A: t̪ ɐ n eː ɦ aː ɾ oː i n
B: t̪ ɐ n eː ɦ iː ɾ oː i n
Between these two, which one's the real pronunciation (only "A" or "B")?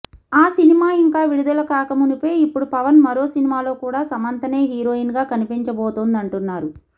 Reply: B